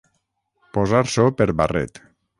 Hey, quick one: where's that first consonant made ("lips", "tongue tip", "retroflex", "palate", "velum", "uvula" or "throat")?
lips